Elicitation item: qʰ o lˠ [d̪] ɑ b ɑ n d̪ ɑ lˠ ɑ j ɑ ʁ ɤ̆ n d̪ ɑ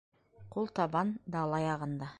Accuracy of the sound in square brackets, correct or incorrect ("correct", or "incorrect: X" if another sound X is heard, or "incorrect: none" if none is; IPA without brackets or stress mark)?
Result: incorrect: t̪